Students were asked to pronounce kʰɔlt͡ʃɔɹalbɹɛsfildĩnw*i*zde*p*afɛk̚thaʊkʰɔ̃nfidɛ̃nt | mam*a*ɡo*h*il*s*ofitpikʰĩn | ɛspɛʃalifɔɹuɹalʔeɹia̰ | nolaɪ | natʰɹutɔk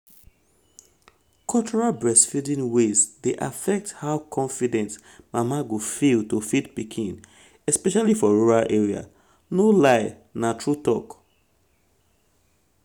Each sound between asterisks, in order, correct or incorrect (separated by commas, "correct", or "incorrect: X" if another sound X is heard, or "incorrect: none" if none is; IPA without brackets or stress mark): incorrect: e, incorrect: ʔ, correct, incorrect: f, incorrect: t